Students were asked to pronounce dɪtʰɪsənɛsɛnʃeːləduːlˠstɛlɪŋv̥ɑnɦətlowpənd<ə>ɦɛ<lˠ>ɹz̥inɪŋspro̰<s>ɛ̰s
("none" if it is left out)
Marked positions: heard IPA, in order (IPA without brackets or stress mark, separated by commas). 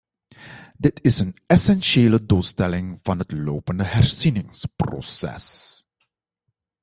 ə, none, s